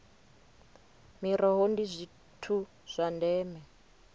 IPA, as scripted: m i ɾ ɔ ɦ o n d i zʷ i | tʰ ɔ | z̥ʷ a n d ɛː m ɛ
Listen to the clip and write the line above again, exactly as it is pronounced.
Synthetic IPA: m i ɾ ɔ ɦ o n d i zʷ i | tʰ u | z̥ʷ a n d ɛː m ɛ

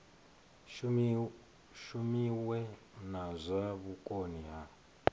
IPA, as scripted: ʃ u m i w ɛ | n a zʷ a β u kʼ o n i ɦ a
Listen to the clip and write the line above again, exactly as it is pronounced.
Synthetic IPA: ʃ u m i w ɛ | n a zʷ a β u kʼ o n i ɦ a

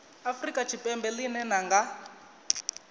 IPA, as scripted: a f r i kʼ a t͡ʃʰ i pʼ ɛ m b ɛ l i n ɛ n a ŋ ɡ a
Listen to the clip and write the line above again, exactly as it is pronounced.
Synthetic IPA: a f r i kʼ a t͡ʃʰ i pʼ ɛ m b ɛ l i n ɛ n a ŋ ɡ a

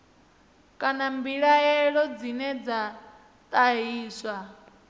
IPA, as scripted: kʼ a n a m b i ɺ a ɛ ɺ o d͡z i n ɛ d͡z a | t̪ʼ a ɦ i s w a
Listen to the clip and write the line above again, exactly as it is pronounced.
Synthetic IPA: kʼ a n a m b i ɺ a ɛ ɺ ɔ d͡z i n ɛ d͡z a | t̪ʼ a ɦ iː s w a

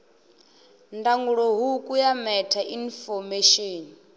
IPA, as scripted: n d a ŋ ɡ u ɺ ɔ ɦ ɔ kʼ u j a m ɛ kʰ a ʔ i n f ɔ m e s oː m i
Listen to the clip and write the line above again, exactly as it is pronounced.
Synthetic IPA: n d a ŋ ɡ u ɺ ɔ ɦ u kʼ u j a m ɛ tʰ a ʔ i n f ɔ m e ʃ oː n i

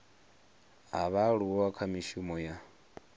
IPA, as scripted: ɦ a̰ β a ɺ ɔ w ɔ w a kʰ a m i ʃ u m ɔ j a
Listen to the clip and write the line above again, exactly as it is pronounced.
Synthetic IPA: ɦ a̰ β a ɺ u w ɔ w a kʰ a m i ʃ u m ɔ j a

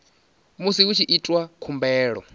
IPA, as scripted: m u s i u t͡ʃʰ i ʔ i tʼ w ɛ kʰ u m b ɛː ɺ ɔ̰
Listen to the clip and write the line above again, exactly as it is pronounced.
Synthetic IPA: m u s i u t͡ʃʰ i ʔ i tʼ w a kʰ u m b ɛː ɺ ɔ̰

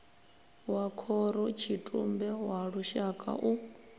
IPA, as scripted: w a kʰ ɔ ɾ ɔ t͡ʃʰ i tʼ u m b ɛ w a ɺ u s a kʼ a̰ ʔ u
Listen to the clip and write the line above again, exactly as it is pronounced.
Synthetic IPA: w a kʰ ɔ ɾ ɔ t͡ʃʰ i tʼ u m b ɛ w a ɺ u ʃ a kʼ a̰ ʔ u

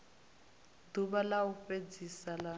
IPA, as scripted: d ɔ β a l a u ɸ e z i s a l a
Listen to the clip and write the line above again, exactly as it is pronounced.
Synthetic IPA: d u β a l a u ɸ e d͡z i s a l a

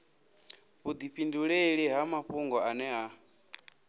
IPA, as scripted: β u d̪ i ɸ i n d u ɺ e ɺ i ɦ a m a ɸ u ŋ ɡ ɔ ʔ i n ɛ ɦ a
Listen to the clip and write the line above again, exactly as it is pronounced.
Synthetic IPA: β u d̪ i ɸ i n d u ɺ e ɺ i ɦ a m a ɸ u ŋ ɡ ɔ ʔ a n ɛ ɦ a

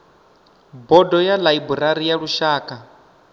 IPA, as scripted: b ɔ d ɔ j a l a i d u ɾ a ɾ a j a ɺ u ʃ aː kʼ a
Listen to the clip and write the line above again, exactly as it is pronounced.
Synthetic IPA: b ɔ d ɔ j a l a i b u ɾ a ɾ i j a ɺ u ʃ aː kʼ a

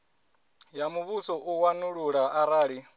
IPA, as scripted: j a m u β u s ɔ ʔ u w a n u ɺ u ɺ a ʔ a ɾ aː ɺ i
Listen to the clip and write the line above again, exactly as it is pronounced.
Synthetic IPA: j a m u β u s ɔ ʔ u w a n u ɺ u ɺ a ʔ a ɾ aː ɺ i

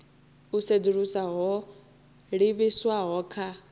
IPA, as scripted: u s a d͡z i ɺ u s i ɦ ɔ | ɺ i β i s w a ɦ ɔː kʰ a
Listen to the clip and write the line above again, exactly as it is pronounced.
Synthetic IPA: u s e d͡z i ɺ u s a ɦ ɔ | ɺ i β i s w a ɦ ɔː kʰ a

